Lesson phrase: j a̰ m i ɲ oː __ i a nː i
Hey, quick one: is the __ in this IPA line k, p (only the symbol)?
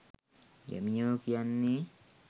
k